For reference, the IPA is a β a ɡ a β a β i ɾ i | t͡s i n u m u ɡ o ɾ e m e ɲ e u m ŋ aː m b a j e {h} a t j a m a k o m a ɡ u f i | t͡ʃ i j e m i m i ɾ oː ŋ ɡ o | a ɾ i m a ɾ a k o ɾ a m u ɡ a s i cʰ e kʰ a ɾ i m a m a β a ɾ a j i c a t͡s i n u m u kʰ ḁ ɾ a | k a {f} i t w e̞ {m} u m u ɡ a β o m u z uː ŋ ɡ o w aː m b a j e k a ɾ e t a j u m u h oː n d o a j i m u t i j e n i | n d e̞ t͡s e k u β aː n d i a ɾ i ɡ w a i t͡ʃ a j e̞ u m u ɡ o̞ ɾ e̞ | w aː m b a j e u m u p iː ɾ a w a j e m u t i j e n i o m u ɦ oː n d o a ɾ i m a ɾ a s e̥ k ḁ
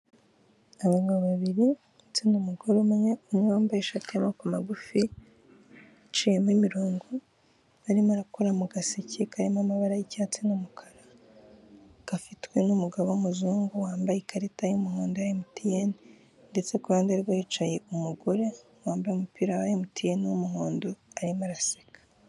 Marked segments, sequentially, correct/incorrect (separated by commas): incorrect, correct, incorrect